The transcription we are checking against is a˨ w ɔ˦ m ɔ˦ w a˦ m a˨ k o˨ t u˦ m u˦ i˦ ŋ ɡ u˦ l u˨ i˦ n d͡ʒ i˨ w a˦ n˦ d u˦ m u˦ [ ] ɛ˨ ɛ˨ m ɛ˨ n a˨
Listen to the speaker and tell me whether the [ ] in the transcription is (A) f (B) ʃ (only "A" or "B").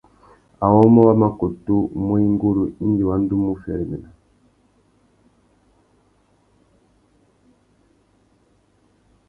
A